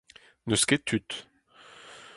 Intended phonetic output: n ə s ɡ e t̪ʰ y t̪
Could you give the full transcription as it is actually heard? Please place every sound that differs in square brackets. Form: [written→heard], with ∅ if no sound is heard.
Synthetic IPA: n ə s [ɡ→k] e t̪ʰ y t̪